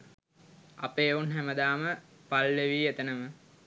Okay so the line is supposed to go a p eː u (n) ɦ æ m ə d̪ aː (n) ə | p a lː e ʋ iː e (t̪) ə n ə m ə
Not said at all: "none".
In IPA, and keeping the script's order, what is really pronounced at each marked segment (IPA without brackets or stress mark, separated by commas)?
n, m, t̪